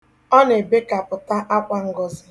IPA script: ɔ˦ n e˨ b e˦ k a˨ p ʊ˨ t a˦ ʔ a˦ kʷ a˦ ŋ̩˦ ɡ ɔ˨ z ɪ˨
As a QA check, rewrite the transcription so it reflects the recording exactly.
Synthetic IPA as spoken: ɔ˦ n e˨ b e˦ k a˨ p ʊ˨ t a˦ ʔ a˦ kʷ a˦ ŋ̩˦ ɡ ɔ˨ z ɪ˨